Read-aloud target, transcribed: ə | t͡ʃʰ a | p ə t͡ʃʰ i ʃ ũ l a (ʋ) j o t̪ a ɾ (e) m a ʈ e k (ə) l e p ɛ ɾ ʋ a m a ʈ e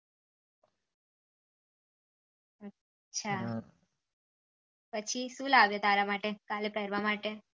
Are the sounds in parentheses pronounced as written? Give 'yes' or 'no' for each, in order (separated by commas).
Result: yes, no, no